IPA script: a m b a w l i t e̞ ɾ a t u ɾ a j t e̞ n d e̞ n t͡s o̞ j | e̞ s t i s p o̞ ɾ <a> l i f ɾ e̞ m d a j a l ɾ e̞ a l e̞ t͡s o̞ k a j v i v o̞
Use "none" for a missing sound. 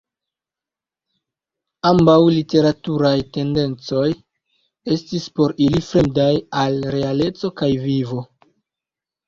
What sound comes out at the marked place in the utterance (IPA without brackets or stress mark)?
i